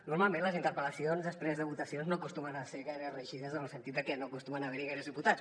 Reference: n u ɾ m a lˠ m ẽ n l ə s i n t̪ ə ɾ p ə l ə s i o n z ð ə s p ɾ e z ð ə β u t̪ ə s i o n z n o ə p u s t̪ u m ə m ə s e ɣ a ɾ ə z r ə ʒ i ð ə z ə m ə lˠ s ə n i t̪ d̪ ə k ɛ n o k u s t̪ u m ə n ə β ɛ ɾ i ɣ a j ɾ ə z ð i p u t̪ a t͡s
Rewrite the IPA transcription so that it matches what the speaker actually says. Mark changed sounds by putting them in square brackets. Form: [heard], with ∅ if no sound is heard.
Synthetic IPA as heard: n u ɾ m a lˠ m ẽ n l ə [z] i n t̪ ə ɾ p ə l ə s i o n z ð ə s p ɾ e z ð ə β u t̪ ə s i o n z n o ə [k] u s t̪ u m ə [n] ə s e ɣ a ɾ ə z r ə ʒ i ð ə z ə [n] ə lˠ s ə n i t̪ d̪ ə k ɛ n o k u s t̪ u m ə n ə β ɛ ɾ i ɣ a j ɾ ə z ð i p u t̪ a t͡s